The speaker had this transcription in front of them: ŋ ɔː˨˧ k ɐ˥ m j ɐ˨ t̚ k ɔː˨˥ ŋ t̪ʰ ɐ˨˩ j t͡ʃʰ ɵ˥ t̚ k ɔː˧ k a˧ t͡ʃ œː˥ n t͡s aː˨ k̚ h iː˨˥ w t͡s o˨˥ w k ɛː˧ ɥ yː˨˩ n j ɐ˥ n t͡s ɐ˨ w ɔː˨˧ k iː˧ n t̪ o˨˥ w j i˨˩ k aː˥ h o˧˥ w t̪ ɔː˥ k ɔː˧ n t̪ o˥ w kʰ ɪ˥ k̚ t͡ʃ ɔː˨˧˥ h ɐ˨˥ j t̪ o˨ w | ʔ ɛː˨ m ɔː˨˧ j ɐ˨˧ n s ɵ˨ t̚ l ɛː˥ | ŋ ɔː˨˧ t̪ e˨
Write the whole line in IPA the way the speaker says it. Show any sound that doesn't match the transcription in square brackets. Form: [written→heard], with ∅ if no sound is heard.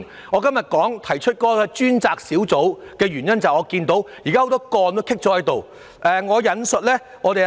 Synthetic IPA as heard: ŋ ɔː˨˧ k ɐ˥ m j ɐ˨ t̚ k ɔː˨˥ ŋ t̪ʰ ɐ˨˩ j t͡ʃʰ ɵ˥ t̚ k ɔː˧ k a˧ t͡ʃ [œː˥→yː˥] n t͡s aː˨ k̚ [h→s] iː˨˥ w t͡s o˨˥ w k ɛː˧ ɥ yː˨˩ n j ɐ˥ n t͡s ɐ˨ w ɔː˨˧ k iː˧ n t̪ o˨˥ w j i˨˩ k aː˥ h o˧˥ w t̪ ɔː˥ k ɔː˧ n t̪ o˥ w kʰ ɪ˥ k̚ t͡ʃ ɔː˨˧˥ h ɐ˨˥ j t̪ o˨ w | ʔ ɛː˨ [m→ŋ] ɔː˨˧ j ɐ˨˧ n s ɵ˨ t̚ l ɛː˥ | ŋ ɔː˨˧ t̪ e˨